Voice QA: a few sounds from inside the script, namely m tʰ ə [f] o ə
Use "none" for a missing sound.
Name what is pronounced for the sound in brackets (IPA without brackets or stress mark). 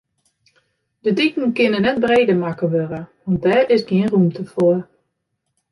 f